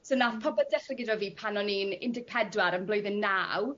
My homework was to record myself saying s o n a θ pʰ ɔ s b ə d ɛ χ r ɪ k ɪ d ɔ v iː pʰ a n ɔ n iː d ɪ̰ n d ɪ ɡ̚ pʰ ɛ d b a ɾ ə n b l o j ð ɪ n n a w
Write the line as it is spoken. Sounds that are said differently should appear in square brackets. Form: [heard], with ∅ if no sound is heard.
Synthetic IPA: s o n a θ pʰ ɔ [∅] b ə d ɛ χ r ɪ [ɡ] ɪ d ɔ v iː pʰ a n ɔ n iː [n] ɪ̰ n d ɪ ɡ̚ pʰ ɛ d [w] a ɾ ə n b l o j ð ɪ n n a w